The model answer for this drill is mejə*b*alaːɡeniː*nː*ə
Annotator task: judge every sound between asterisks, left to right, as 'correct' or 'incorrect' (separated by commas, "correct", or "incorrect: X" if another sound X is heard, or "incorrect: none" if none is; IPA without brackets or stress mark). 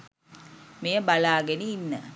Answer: correct, correct